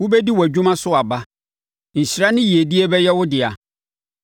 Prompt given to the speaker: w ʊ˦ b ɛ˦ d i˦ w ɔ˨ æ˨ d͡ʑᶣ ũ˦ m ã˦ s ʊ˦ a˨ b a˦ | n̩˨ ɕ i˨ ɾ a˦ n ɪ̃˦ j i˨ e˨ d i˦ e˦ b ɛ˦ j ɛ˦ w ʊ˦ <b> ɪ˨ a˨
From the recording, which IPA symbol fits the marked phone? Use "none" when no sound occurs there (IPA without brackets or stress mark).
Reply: d